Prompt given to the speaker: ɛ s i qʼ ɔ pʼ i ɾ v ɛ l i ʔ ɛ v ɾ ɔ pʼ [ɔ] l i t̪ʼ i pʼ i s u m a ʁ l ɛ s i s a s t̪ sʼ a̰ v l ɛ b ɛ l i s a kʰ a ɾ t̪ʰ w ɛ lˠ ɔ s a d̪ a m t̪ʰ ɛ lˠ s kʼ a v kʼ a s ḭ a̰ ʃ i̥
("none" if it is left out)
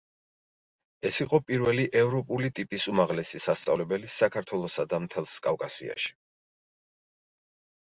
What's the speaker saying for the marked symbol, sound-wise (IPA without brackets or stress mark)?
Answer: u